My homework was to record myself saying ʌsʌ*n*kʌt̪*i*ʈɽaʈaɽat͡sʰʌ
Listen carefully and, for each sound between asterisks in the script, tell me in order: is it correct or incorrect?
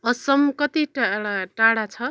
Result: incorrect: m, correct

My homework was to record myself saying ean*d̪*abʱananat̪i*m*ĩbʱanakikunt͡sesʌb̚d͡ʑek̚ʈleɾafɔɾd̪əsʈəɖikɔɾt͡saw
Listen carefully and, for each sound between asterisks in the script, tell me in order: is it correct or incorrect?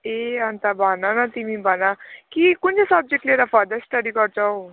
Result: incorrect: t̪, correct

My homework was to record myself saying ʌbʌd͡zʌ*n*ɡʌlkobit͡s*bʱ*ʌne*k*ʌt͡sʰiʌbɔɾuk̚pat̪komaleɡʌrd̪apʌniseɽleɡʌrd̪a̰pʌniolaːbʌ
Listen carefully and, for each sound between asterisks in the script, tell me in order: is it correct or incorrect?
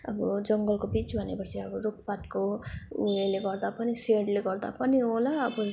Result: incorrect: ŋ, correct, incorrect: p

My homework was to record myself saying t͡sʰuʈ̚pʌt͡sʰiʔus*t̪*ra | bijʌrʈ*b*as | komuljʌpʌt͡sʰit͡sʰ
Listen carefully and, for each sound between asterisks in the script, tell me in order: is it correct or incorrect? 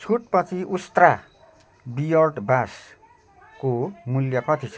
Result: correct, correct

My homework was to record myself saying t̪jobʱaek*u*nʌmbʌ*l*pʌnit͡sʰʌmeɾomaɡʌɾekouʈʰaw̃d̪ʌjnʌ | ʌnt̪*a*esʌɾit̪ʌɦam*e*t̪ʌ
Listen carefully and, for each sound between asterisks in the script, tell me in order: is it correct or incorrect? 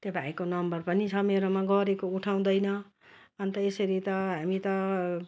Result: incorrect: o, incorrect: r, incorrect: ʌ, incorrect: i

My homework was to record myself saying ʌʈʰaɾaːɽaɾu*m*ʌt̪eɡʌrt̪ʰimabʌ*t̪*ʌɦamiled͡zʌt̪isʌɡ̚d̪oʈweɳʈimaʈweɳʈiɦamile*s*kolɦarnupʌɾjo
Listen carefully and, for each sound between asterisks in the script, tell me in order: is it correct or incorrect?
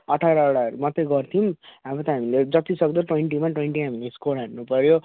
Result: correct, correct, correct

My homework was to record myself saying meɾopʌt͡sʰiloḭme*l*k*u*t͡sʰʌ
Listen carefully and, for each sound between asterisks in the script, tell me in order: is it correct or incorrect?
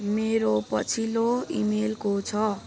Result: correct, incorrect: o

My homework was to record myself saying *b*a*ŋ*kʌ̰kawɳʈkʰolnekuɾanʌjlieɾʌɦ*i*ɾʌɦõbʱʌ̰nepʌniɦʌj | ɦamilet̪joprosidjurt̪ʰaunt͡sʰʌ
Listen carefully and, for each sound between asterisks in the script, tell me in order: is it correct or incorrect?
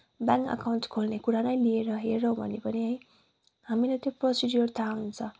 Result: correct, correct, incorrect: e

